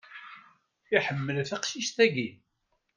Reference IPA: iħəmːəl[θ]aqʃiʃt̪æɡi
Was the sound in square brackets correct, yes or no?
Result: yes